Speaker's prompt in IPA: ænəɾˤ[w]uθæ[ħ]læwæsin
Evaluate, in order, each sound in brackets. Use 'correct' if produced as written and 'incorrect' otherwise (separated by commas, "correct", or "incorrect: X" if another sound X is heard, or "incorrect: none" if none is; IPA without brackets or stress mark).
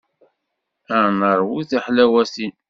correct, correct